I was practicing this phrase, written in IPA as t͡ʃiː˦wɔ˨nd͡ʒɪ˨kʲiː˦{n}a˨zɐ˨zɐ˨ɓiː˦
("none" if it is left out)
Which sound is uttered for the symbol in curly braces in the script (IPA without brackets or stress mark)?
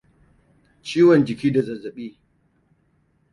d